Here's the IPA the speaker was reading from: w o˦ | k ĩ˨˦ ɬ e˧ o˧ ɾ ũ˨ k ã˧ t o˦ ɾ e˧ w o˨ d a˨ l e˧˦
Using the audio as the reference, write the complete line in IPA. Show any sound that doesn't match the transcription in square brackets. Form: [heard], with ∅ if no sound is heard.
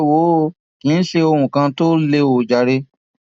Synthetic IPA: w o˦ | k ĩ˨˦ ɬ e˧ o˧ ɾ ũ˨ k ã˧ t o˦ [l] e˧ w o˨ [d͡ʒ] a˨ [ɾ] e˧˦